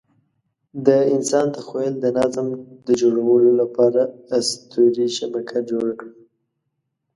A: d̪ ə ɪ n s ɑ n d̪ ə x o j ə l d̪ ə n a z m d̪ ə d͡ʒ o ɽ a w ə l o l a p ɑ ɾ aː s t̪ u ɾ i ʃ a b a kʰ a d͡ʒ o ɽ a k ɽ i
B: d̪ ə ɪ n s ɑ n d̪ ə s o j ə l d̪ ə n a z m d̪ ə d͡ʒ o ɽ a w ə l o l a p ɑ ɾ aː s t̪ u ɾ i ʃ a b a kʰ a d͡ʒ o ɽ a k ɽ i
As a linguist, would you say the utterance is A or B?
A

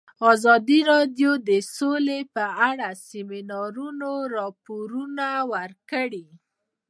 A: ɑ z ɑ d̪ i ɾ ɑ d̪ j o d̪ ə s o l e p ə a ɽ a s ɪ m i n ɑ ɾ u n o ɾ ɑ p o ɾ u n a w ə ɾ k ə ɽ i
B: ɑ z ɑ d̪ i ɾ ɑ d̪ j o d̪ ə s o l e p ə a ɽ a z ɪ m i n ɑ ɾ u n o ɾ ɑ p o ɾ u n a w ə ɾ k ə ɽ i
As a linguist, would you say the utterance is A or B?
A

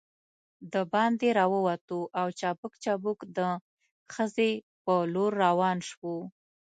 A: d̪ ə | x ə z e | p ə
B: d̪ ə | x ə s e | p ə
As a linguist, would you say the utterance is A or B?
A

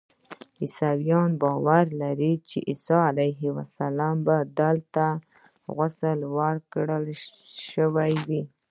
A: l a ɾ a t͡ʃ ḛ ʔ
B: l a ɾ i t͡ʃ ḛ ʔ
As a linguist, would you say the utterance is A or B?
B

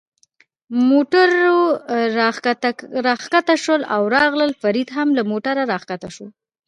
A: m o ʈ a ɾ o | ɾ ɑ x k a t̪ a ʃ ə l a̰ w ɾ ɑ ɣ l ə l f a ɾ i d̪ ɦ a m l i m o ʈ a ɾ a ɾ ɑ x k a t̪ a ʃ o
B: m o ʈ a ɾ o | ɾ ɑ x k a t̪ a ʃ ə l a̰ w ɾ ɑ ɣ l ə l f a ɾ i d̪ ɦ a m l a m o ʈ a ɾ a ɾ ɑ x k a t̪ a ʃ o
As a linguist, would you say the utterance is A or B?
B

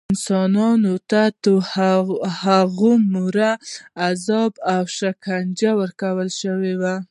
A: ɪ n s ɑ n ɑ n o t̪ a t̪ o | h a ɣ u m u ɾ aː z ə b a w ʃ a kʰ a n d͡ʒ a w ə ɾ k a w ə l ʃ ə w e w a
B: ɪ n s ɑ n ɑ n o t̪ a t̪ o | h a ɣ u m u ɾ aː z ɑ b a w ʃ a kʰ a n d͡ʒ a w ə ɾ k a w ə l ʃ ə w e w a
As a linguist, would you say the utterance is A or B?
B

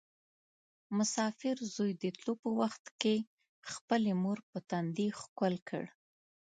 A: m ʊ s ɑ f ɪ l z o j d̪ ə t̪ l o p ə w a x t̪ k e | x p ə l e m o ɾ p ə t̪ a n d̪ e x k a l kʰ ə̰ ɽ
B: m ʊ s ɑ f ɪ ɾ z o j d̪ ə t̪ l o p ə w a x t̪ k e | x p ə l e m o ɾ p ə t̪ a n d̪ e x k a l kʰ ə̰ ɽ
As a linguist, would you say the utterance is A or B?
B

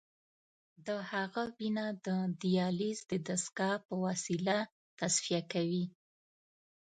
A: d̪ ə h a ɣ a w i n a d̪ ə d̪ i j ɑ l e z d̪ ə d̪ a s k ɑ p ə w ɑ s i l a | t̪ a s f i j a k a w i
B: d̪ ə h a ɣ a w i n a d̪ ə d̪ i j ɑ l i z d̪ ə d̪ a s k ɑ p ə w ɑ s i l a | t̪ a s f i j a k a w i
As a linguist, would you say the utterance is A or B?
B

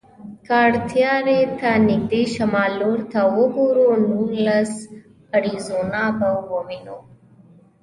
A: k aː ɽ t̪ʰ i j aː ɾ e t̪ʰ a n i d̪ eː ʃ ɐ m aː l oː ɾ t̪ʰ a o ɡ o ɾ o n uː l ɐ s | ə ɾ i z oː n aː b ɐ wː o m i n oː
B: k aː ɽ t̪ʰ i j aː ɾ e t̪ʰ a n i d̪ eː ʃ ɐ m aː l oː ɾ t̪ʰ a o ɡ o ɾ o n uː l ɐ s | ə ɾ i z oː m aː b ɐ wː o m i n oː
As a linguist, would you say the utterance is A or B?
A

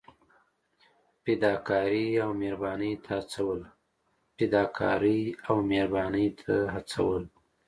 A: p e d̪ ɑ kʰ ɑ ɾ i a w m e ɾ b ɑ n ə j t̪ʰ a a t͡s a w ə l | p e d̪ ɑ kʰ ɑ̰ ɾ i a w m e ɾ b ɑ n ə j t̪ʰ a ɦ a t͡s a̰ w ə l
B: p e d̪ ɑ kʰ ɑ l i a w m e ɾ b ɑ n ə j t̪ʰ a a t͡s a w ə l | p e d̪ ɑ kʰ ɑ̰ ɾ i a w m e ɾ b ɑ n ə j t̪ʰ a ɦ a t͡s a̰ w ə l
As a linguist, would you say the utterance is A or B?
A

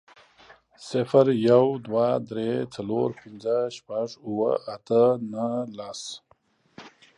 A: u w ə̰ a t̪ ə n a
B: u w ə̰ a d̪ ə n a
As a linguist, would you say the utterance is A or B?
A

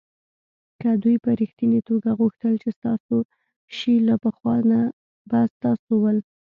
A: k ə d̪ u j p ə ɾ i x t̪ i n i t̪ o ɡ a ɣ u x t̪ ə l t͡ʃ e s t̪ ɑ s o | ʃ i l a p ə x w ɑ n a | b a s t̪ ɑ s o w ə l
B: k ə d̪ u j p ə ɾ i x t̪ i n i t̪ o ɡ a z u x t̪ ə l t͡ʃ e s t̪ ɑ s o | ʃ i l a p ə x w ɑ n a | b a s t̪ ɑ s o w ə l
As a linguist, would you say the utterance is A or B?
A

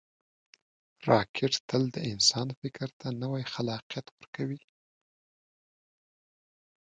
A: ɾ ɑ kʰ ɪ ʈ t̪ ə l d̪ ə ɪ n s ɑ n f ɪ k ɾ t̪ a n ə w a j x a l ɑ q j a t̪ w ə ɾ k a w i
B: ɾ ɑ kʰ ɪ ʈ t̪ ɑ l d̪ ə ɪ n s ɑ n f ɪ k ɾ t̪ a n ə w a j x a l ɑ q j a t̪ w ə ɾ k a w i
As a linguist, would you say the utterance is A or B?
A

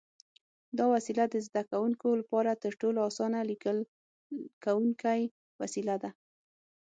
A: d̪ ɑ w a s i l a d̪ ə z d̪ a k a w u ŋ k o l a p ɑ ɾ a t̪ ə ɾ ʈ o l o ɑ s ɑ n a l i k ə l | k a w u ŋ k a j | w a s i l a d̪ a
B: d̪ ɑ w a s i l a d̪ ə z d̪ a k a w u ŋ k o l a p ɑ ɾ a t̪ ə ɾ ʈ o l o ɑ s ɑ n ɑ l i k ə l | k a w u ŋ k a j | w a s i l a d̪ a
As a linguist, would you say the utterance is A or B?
A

